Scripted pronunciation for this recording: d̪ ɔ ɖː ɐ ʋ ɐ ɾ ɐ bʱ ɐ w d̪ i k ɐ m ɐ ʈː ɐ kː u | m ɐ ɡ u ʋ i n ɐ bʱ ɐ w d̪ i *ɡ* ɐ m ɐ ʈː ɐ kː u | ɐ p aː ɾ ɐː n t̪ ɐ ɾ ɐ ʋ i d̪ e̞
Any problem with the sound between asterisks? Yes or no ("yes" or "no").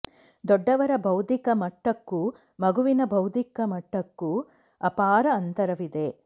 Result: yes